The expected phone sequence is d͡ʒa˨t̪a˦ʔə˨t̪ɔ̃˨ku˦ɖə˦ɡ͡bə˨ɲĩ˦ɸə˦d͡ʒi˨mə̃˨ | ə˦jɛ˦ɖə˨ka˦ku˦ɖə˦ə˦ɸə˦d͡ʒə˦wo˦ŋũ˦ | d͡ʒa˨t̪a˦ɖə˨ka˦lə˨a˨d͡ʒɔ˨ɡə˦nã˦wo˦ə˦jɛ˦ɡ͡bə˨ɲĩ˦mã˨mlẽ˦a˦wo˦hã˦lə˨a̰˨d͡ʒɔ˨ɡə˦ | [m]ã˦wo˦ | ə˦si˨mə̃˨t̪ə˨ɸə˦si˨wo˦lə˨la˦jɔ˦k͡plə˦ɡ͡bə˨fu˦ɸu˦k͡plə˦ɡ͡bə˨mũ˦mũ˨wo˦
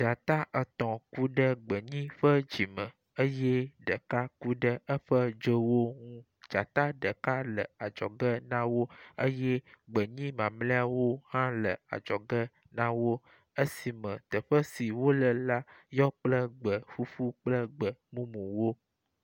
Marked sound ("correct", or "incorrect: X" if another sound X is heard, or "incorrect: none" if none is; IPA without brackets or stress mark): incorrect: n